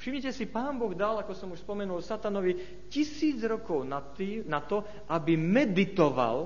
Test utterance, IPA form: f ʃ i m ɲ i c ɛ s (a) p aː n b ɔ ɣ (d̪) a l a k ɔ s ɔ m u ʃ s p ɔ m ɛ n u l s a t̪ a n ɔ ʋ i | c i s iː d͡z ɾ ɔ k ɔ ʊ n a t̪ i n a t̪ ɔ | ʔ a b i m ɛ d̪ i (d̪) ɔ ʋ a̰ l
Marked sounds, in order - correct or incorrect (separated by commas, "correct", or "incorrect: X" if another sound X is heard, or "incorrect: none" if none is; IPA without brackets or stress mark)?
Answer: incorrect: i, correct, incorrect: t̪